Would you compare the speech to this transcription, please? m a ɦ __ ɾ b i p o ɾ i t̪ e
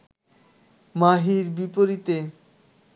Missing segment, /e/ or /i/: i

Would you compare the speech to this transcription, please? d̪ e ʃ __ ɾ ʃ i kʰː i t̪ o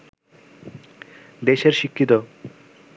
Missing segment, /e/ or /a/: e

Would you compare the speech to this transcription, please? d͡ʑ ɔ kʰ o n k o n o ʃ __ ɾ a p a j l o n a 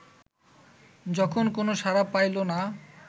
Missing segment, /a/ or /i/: a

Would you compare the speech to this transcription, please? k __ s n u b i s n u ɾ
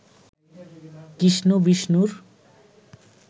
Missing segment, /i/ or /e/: i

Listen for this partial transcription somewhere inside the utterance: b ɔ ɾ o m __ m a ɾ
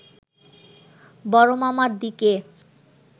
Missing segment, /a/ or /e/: a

